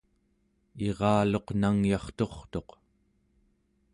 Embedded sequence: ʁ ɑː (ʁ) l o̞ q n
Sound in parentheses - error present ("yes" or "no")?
yes